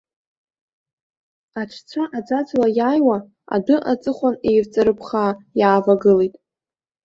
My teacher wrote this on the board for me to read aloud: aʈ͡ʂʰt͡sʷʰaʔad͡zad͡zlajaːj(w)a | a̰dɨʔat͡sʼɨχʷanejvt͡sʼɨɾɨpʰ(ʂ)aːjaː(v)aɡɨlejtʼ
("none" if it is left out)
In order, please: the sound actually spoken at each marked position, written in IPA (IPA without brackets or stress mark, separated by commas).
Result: w, χ, v